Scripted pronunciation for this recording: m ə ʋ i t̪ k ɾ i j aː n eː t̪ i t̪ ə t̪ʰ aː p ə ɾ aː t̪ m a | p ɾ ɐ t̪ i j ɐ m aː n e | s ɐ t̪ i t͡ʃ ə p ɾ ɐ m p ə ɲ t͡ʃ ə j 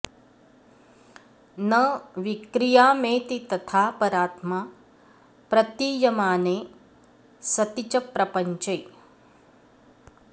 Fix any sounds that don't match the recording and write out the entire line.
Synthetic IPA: n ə ʋ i k ɾ i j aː m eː t̪ i t̪ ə t̪ʰ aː p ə ɾ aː t̪ m a | p ɾ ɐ t̪ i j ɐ m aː n e | s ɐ t̪ i t͡ʃ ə p ɾ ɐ p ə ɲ t͡ʃ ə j